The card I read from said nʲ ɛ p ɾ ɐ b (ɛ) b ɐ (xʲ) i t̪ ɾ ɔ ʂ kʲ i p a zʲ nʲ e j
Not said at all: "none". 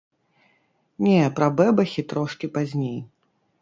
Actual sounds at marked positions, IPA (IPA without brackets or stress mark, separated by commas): ɛ, xʲ